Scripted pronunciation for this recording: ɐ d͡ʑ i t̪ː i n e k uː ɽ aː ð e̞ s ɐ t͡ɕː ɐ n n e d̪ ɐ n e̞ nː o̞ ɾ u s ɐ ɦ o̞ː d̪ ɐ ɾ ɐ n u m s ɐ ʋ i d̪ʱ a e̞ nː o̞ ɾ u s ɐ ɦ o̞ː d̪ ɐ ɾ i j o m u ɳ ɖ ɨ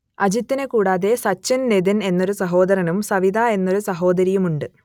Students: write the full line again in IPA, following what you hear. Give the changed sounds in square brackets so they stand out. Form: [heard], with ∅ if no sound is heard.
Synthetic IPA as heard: ɐ d͡ʑ i t̪ː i n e k uː ɽ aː ð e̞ s ɐ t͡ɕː ɐ n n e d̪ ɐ n e̞ nː o̞ ɾ u s ɐ ɦ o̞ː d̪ ɐ ɾ ɐ n u m s ɐ ʋ i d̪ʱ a e̞ nː o̞ ɾ u s ɐ ɦ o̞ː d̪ ɐ ɾ i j [u] m u ɳ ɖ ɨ